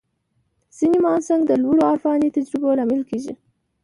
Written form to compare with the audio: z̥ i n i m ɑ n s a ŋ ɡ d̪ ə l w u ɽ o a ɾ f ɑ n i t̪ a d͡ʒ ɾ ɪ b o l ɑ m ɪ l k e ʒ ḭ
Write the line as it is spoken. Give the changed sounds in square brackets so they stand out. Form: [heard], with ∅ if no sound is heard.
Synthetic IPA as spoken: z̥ i n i m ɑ n s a ŋ ɡ d̪ ə l w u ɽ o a ɾ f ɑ n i t̪ a d͡ʒ ɾ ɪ b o l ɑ m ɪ l k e ʒ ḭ